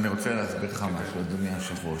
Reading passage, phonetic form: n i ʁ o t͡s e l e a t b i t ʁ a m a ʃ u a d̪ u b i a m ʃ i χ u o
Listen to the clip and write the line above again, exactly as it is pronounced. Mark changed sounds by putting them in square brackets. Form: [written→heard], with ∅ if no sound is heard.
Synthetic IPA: n i ʁ o t͡s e l e a [t→s] b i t [ʁ→χ] a m a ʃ u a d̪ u [b→m] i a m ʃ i χ u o